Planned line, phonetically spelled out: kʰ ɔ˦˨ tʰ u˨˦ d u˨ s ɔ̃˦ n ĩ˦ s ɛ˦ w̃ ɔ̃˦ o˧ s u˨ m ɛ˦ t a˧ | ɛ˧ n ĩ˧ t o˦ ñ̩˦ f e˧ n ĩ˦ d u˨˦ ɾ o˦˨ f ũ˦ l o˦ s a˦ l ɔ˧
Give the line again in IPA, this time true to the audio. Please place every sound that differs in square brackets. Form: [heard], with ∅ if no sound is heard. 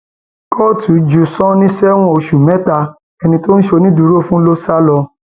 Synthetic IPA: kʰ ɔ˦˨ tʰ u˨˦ [d͡ʒ] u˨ s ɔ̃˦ n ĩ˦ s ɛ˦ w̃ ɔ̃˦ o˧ [ʃ] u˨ m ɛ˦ t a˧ | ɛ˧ n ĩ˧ t o˦ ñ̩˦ [ʃ] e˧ n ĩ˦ d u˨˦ ɾ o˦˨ f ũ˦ l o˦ s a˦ l ɔ˧